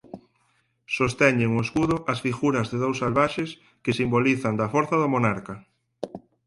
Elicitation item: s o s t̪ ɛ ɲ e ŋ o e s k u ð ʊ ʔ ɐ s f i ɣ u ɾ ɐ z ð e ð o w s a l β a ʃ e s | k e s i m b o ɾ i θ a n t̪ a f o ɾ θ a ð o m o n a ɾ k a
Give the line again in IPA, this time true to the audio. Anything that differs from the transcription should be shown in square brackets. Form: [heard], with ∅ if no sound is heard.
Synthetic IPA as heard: s o s t̪ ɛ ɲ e ŋ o e s k u ð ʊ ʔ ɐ s f i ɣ u ɾ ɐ z ð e ð o w s a l β a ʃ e s | k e s i m b o [l] i θ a n [d̪] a f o ɾ θ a ð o m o n a ɾ k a